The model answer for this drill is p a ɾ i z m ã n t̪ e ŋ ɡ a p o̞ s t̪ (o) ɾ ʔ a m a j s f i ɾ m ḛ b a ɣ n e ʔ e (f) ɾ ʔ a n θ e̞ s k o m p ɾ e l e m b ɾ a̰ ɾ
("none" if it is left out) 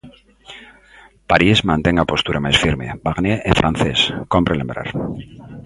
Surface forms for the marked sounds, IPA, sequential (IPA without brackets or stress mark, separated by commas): u, f